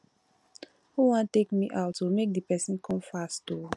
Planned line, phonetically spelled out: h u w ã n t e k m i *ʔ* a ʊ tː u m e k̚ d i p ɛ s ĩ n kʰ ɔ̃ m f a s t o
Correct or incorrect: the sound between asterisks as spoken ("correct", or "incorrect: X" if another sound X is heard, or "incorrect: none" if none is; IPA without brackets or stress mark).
correct